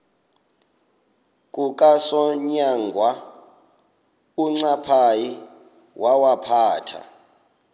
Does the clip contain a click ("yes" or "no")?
yes